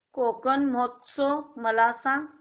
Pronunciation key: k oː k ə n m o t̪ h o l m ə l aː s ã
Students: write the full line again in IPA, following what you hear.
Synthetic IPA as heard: k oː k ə n m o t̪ s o m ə l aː s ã